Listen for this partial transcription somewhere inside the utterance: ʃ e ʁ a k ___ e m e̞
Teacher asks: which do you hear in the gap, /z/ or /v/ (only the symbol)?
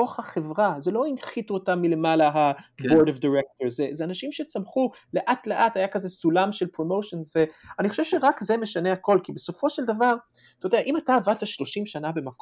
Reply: z